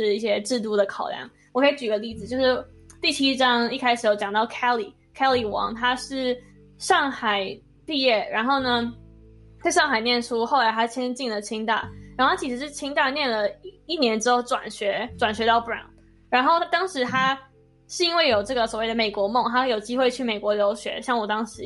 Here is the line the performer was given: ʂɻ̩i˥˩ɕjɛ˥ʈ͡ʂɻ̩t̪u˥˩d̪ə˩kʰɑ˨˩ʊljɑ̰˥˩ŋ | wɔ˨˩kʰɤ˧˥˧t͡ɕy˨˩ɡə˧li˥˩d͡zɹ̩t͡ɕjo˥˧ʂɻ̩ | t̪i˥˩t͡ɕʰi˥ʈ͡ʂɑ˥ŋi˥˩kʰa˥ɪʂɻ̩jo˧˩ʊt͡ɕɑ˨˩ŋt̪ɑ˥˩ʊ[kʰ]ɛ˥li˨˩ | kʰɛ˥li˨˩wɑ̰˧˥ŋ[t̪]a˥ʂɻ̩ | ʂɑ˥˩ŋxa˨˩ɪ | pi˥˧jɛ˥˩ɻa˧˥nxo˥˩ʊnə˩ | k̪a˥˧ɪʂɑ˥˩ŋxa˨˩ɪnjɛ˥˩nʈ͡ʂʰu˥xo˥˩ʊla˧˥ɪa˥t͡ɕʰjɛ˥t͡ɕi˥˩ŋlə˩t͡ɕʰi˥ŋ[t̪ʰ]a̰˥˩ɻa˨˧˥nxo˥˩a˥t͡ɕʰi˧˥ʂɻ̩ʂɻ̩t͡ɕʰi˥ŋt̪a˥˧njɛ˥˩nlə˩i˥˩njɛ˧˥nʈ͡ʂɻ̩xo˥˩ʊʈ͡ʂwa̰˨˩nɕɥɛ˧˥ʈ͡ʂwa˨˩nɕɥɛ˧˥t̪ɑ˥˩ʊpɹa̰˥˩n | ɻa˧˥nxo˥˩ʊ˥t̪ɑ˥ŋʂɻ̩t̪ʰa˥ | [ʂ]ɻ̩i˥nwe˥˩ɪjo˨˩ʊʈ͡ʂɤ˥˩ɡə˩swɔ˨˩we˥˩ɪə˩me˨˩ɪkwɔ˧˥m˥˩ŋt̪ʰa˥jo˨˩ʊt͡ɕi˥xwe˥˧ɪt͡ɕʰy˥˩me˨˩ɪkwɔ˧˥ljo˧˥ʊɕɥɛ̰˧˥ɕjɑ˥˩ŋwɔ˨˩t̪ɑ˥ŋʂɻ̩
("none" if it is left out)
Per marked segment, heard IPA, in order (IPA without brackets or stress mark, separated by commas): kʰ, t̪ʰ, t̪, ʂ